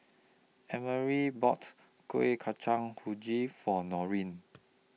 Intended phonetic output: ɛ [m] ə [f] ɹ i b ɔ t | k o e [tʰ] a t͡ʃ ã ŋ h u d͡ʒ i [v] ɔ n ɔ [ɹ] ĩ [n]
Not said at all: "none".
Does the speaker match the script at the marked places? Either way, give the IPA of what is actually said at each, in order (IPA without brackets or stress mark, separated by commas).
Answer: m, none, kʰ, f, ɹ, n